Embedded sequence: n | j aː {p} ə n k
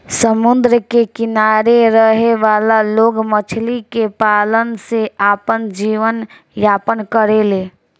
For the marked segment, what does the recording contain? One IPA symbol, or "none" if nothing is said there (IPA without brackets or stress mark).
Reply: p